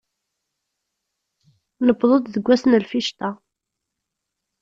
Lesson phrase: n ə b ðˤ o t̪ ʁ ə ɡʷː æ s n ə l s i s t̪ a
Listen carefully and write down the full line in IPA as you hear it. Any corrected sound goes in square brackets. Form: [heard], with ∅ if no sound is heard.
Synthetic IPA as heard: n ə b ðˤ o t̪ [ð] ə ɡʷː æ s n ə l [f] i [ʃ] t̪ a